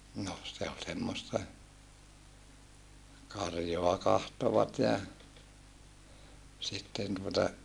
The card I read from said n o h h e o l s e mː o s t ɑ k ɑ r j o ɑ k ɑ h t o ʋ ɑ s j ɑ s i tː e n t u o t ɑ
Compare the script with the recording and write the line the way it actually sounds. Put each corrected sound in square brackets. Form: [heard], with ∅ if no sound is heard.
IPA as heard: n o h [s] e o l s e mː o s t ɑ k ɑ r j o ɑ k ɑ h t o ʋ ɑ [t] j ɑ s i tː e n t u o t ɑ